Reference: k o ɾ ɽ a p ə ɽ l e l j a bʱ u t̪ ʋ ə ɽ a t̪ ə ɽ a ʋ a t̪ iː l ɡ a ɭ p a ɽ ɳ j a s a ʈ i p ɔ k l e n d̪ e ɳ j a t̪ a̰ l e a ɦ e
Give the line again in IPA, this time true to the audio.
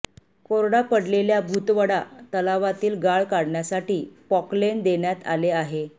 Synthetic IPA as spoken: k o ɾ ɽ a p ə ɽ l e l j a bʱ u t̪ ʋ ə ɽ a t̪ ə l a ʋ a t̪ iː l ɡ a ɭ k a ɽ ɳ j a s a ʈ iː p ɔ k l e n d̪ e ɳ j a t̪ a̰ l e a ɦ e